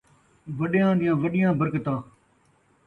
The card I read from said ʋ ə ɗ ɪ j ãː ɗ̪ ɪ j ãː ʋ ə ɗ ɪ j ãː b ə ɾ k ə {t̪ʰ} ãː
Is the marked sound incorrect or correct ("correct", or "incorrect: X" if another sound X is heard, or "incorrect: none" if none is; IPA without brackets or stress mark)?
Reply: incorrect: t̪